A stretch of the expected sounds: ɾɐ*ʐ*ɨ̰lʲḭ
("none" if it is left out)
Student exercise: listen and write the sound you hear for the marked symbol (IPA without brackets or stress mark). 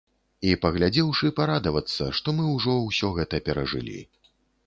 ʐ